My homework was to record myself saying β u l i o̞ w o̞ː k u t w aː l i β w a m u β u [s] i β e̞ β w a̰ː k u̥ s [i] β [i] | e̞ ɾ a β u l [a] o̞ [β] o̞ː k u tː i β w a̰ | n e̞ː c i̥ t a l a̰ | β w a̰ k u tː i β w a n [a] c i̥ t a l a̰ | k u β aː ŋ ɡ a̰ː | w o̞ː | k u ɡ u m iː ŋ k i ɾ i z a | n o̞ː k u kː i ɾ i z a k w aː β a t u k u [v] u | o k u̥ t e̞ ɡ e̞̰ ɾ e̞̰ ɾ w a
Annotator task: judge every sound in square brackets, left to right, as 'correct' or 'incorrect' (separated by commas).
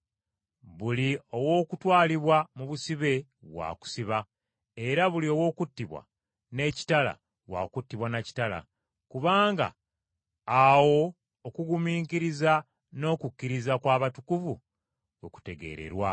correct, correct, incorrect, incorrect, incorrect, correct, correct